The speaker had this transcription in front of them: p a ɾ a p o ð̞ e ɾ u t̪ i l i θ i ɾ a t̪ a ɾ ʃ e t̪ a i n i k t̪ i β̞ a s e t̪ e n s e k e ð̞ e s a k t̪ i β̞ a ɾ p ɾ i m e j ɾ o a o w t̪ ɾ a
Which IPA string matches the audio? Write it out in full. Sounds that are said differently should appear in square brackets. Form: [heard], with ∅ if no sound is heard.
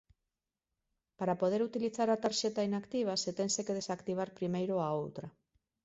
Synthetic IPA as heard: p a ɾ a p o ð̞ e ɾ u t̪ i l i θ [a] ɾ a t̪ a ɾ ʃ e t̪ a i n [a] k t̪ i β̞ a s e t̪ e n s e k e ð̞ e s a k t̪ i β̞ a ɾ p ɾ i m e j ɾ o a o w t̪ ɾ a